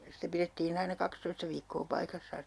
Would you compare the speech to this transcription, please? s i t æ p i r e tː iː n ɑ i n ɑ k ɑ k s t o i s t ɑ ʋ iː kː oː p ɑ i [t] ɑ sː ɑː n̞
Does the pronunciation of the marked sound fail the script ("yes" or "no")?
yes